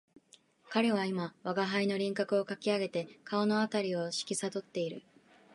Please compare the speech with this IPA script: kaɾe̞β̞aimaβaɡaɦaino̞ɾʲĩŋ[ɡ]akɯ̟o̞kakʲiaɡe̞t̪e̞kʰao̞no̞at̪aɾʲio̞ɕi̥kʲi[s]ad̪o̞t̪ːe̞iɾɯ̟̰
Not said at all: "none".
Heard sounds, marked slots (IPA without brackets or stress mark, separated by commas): k, s